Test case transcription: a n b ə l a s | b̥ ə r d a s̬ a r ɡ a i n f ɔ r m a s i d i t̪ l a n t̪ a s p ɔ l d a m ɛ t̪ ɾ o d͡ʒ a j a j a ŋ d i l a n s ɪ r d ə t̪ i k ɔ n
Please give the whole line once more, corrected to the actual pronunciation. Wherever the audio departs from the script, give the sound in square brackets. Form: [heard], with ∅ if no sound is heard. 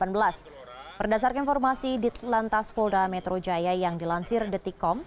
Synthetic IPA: a n b ə l a s | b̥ ə r d a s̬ a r [k] a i n f ɔ r m a s i d i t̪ l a n t̪ a s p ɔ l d a m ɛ t̪ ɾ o d͡ʒ a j a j a ŋ d i l a n s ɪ r d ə t̪ i k ɔ [m]